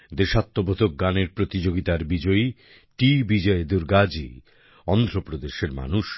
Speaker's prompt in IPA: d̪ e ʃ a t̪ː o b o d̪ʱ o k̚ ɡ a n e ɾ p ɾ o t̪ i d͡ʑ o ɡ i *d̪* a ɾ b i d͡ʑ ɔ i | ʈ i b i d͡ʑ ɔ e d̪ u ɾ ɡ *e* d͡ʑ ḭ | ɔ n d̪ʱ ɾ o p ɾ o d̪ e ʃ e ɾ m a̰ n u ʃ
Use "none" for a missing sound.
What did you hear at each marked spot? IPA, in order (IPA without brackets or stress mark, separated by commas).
t̪, a